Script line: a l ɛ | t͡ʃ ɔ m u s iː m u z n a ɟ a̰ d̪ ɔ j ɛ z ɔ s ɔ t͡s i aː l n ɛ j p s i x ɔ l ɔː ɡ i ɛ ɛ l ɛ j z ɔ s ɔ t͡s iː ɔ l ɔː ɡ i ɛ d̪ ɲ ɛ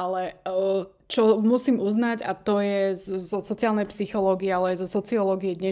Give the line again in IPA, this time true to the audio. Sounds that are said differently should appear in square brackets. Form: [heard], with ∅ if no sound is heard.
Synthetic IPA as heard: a l ɛ | t͡ʃ ɔ m u s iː m u z n a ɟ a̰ [t̪] ɔ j ɛ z ɔ s ɔ t͡s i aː l n ɛ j p s i x ɔ l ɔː ɡ i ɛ [a] l ɛ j z ɔ s ɔ t͡s [i] ɔ l ɔː ɡ i ɛ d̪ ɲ ɛ